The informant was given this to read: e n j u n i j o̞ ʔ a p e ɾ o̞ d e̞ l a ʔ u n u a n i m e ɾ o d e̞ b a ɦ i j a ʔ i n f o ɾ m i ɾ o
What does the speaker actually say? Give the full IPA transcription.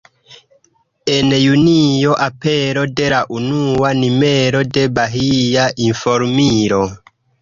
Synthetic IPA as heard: e n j u n i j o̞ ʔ a p e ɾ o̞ d e̞ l a ʔ u n u a n i m e ɾ o d e̞ b a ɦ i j a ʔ i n f o ɾ m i ɾ o